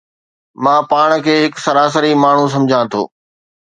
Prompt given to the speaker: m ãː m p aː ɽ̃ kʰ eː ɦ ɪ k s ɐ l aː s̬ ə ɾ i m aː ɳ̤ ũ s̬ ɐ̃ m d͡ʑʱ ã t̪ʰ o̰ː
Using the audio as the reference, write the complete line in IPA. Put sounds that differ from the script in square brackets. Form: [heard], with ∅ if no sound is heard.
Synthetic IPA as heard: m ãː [∅] p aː ɽ̃ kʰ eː ɦ ɪ k s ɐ [ɾ] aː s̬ ə ɾ i m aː ɳ̤ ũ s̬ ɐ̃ m d͡ʑʱ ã t̪ʰ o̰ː